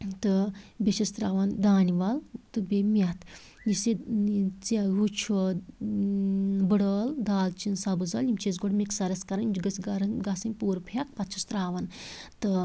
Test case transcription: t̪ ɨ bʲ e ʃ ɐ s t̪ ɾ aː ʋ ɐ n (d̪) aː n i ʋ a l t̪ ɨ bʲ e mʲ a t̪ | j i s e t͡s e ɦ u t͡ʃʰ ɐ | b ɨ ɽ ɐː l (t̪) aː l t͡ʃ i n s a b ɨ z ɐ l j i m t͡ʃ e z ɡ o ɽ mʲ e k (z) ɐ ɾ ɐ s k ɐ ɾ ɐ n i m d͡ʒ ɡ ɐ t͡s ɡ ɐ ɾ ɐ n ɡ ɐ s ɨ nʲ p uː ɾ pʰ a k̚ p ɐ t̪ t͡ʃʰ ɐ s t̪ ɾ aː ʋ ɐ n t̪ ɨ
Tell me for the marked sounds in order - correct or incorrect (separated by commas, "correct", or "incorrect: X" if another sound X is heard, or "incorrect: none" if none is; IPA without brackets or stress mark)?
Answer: correct, incorrect: d̪, incorrect: s